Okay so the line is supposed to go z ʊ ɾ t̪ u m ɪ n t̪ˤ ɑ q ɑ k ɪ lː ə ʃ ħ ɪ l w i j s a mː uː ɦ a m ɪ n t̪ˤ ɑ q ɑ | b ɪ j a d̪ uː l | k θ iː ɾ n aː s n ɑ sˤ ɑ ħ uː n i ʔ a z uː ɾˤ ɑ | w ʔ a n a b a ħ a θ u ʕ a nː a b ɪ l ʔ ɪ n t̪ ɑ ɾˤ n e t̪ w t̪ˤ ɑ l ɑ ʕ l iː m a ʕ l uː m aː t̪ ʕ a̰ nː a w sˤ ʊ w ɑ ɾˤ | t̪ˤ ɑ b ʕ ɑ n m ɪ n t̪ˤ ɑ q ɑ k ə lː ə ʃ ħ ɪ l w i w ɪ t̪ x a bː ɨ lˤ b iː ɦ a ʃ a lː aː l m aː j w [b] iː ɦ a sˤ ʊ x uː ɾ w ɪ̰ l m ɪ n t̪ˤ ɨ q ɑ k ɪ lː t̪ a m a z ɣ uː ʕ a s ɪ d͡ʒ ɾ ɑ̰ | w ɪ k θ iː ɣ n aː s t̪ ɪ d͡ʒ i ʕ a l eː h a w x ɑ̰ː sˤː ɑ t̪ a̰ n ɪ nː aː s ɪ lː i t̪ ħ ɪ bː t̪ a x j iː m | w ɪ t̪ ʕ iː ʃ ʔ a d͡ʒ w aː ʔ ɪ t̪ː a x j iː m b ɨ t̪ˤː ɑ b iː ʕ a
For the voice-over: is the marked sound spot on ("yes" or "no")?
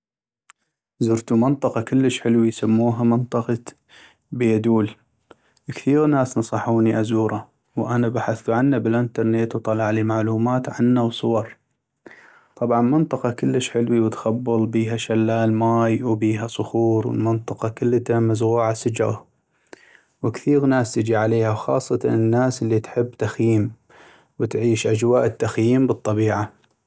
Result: yes